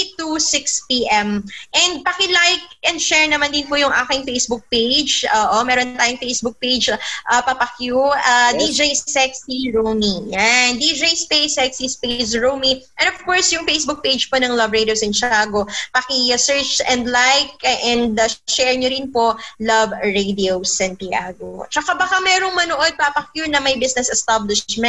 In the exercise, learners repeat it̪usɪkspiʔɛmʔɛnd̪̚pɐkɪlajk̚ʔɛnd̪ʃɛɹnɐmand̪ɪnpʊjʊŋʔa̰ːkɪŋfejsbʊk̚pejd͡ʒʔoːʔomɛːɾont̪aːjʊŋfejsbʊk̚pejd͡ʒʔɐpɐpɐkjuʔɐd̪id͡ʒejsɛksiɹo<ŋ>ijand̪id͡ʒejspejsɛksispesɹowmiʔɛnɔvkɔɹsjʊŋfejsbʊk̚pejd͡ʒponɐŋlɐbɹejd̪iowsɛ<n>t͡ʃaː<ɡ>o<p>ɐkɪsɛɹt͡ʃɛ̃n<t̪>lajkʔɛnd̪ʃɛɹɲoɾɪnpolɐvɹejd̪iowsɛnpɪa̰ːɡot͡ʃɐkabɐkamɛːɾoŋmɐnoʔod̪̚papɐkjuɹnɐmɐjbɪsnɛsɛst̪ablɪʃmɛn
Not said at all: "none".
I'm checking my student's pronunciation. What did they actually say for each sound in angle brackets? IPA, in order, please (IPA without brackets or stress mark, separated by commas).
m, n, ɡ, p, d̪